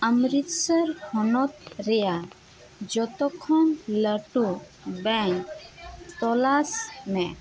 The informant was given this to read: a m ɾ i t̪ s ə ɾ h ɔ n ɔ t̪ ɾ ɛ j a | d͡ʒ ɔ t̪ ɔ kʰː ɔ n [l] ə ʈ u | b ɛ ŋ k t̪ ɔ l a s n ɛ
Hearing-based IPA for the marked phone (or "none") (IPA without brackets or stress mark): l